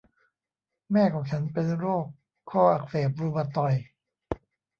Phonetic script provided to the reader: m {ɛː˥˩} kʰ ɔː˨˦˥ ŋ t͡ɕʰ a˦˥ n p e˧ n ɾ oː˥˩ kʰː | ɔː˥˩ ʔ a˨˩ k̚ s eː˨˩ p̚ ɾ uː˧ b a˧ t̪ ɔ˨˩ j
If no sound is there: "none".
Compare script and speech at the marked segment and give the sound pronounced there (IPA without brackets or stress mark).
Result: ɛː˥˩